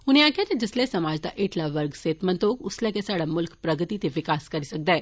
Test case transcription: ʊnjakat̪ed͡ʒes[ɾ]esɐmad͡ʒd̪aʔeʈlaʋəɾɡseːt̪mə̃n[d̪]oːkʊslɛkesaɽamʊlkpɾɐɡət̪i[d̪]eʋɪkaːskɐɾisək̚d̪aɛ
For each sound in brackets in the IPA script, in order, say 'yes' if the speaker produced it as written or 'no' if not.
no, no, no

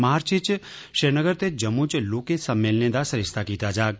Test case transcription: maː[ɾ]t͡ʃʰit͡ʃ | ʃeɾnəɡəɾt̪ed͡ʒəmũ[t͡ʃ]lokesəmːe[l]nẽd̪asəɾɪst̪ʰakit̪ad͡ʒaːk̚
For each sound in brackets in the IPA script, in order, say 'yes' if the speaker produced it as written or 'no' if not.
yes, yes, yes

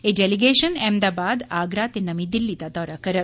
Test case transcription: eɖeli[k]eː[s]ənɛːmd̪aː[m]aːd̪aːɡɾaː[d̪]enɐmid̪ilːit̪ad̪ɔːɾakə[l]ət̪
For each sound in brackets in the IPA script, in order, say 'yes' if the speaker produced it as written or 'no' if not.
no, no, no, no, no

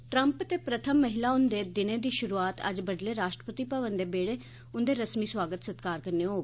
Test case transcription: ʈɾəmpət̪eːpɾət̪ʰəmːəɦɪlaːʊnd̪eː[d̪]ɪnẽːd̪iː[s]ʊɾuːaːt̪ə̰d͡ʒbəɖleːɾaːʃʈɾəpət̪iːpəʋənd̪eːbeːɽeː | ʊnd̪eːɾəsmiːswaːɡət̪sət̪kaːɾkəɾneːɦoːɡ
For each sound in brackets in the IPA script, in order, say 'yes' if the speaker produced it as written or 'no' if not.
yes, no

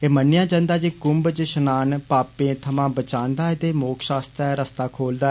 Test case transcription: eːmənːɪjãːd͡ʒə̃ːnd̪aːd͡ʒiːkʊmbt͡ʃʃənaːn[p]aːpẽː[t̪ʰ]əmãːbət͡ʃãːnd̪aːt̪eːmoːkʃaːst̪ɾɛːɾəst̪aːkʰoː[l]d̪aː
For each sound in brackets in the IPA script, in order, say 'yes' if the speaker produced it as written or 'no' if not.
yes, yes, yes

